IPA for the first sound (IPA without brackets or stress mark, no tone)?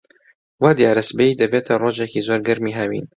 w